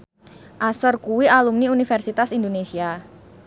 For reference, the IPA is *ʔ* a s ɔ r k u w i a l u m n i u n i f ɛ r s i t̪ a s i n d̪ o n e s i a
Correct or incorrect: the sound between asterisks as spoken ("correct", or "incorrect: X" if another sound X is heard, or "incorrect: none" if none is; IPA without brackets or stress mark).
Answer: correct